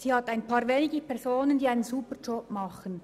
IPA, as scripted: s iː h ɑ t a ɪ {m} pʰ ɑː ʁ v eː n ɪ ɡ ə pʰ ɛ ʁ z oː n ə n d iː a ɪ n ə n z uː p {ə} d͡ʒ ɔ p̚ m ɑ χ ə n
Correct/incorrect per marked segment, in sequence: incorrect: n, correct

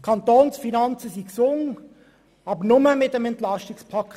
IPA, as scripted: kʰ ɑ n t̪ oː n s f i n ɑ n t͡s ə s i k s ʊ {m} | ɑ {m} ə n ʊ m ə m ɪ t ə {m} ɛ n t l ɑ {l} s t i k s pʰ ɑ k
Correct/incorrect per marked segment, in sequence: incorrect: ŋ, incorrect: b, correct, incorrect: none

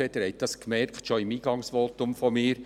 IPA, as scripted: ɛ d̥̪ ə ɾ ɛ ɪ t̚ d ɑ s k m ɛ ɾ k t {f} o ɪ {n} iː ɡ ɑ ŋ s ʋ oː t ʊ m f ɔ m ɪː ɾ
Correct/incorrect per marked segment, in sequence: incorrect: ʃ, incorrect: m

